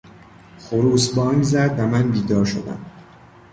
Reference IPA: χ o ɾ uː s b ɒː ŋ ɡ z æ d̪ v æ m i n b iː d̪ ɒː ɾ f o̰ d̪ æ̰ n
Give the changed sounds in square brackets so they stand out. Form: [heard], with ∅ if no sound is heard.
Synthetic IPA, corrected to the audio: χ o ɾ uː s b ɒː ŋ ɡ z æ d̪ v æ m [æ] n b iː d̪ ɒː ɾ [ʃ] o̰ d̪ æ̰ [m]